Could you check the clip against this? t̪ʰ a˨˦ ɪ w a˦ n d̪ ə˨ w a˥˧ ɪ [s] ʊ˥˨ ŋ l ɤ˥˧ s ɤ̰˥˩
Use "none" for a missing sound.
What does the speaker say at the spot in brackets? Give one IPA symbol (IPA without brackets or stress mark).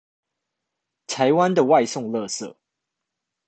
s